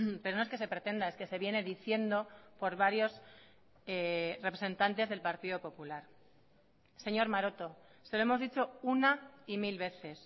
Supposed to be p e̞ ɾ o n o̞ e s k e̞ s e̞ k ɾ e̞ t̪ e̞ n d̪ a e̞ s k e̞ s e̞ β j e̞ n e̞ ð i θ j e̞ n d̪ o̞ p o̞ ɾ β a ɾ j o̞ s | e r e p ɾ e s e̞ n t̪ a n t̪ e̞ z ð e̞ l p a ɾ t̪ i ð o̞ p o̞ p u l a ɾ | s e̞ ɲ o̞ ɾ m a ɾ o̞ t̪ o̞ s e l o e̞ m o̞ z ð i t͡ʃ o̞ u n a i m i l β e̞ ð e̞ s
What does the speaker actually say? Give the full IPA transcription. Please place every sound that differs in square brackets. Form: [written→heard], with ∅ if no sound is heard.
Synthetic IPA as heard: p e̞ ɾ o n o̞ e s k e̞ s e̞ [k→p] ɾ e̞ t̪ e̞ n d̪ a e̞ s k e̞ s e̞ β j e̞ n e̞ ð i θ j e̞ n d̪ o̞ p o̞ ɾ β a ɾ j o̞ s | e r e p ɾ e s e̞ n t̪ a n t̪ e̞ z ð e̞ l p a ɾ t̪ i ð o̞ p o̞ p u l a ɾ | s e̞ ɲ o̞ ɾ m a ɾ o̞ t̪ o̞ s e l o e̞ m o̞ z ð i t͡ʃ o̞ u n a i m i l β e̞ [ð→θ] e̞ s